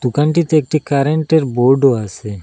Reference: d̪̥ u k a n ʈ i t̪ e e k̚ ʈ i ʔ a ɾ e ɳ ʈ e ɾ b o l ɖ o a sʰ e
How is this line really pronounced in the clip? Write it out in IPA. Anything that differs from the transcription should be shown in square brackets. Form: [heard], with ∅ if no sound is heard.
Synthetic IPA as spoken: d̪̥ u k a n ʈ i t̪ e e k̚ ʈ i [k] a ɾ e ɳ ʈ e ɾ b o [ɾ] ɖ o a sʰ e

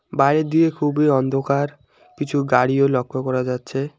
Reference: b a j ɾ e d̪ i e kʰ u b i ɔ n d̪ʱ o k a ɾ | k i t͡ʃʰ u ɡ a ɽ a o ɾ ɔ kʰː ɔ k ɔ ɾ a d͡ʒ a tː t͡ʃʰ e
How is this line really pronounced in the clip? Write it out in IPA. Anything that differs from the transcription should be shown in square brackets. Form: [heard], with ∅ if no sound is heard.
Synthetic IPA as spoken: b a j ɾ e d̪ i e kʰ u b i ɔ n d̪ʱ o k a ɾ | k i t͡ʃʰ u ɡ a ɽ [i] o [l] ɔ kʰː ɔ k ɔ ɾ a d͡ʒ a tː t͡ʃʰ e

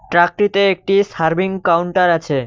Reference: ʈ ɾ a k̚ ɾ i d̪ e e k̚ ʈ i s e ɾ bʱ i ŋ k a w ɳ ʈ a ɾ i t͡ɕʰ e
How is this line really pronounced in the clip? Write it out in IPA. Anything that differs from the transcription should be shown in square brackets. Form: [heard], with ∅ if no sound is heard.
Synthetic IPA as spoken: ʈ ɾ a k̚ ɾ i [t̪] e e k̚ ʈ i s [a] ɾ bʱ i ŋ k a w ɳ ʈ a ɾ [a] t͡ɕʰ e

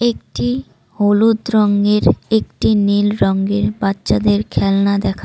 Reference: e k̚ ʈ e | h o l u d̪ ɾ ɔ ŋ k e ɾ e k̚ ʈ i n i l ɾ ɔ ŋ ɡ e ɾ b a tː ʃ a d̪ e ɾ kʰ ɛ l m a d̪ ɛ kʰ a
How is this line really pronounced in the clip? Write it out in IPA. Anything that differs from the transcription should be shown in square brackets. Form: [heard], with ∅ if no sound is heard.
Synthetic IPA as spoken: e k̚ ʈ [i] | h o l u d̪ ɾ ɔ ŋ [ɡ] e ɾ e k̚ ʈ i n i l ɾ ɔ ŋ ɡ e ɾ b a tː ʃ a d̪ e ɾ kʰ ɛ l [n] a d̪ ɛ kʰ a

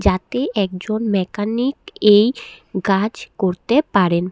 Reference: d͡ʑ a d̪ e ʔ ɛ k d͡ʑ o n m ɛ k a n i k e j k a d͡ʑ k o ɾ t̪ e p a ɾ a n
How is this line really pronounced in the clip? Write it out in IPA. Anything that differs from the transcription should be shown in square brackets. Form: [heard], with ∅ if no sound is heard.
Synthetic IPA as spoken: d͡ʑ a [t̪] e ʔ ɛ k d͡ʑ o n m ɛ k a n i k e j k a d͡ʑ k o ɾ t̪ e p a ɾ [e] n

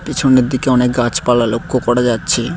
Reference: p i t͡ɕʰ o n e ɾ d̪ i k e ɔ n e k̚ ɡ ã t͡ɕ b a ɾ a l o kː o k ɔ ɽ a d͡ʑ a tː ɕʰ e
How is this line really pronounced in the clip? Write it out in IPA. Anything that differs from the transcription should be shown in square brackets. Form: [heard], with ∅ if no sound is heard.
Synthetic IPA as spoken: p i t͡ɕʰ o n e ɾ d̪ i k e ɔ n e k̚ ɡ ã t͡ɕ [p] a [l] a l o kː o k ɔ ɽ a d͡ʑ a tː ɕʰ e

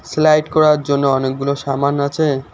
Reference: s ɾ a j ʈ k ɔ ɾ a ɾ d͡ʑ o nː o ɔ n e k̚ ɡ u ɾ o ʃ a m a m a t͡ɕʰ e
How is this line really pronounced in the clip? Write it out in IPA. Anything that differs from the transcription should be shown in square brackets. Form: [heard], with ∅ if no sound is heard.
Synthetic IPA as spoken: s [l] a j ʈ k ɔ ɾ a ɾ d͡ʑ o nː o ɔ n e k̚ ɡ u [l] o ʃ a m a [n] a t͡ɕʰ e

